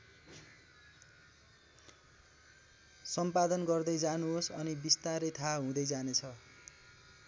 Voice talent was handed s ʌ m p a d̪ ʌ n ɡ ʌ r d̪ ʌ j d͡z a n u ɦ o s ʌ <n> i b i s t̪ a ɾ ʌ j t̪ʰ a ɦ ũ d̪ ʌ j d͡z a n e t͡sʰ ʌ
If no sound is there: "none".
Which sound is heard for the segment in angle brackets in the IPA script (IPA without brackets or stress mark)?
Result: n